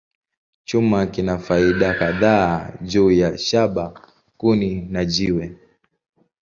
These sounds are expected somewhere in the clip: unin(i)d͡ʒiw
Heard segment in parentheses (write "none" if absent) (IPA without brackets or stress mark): a